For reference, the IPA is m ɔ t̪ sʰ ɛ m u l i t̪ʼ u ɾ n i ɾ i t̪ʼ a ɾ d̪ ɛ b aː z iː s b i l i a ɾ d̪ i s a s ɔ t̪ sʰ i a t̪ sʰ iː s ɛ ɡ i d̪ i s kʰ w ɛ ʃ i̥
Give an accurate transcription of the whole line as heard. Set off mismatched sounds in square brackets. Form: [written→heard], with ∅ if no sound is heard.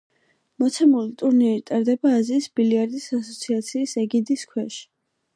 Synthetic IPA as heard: m ɔ t̪ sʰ ɛ m u l i t̪ʼ u ɾ n i ɾ i t̪ʼ a ɾ d̪ ɛ b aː z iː s b i l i a ɾ d̪ i s a s ɔ t̪ sʰ i a t̪ sʰ iː s ɛ ɡ i d̪ i s kʰ w ɛ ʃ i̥